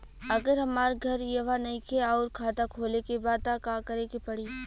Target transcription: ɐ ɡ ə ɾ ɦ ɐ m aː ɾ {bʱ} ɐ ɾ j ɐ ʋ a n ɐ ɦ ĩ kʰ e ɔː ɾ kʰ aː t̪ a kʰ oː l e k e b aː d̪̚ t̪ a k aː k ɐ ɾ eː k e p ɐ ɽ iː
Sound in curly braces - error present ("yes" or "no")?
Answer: yes